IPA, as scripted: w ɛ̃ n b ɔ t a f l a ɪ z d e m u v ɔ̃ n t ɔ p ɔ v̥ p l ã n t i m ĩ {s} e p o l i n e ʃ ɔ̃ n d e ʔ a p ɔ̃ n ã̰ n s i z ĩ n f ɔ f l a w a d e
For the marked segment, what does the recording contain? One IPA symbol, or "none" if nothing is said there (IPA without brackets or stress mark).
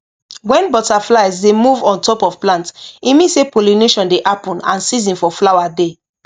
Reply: s